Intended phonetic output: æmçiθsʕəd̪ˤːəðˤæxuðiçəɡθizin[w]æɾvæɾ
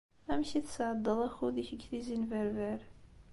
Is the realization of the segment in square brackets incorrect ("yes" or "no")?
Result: yes